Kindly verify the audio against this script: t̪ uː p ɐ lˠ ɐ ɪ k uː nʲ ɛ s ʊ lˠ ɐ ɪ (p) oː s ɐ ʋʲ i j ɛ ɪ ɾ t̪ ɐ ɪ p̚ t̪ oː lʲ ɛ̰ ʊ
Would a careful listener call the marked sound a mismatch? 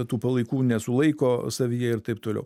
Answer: yes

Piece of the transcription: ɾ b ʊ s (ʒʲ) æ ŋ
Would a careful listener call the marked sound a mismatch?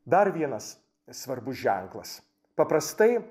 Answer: no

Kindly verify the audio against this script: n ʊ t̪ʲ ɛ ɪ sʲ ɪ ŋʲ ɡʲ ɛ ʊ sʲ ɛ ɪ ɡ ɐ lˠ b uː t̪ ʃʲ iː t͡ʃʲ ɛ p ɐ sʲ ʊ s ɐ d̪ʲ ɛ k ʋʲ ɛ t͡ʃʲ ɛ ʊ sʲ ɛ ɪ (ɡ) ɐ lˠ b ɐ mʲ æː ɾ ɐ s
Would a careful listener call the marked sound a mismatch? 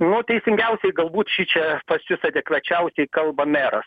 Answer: yes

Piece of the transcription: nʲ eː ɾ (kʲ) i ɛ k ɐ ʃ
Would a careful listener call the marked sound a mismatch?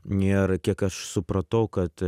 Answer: no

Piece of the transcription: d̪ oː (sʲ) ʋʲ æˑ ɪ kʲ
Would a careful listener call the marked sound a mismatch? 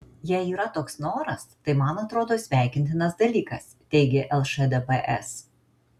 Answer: no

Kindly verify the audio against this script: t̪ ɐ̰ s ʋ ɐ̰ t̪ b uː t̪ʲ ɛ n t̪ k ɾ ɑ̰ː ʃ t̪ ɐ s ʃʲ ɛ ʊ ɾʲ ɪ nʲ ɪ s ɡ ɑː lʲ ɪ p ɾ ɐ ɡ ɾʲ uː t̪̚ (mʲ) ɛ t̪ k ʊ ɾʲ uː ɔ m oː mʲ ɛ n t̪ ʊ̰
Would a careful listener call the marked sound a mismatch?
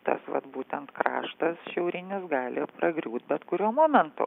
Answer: yes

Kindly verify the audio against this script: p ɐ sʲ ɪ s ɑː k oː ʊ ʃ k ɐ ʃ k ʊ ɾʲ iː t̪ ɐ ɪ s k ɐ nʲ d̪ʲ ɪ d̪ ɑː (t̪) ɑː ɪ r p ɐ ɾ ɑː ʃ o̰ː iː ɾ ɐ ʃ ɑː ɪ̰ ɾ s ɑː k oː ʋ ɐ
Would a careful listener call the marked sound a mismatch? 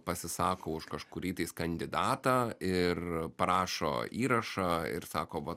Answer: no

